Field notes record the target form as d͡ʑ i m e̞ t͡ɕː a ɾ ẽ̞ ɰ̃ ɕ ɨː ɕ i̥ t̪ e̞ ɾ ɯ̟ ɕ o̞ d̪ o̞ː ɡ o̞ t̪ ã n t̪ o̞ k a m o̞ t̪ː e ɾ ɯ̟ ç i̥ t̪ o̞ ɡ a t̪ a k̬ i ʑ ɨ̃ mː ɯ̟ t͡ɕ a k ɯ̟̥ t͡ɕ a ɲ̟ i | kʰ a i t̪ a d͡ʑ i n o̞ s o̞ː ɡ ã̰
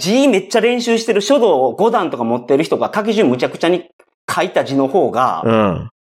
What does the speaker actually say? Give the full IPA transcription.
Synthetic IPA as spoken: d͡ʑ i m e̞ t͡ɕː a ɾ ẽ̞ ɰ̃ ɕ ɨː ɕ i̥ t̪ e̞ ɾ ɯ̟ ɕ o̞ d̪ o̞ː ɡ o̞ d̪ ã n t̪ o̞ k a m o̞ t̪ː e ɾ ɯ̟ ç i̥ t̪ o̞ ɡ a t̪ a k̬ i ʑ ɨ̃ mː ɯ̟ t͡ɕ a k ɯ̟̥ t͡ɕ a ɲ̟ i | kʰ a i t̪ a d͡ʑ i n o̞ h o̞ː ɡ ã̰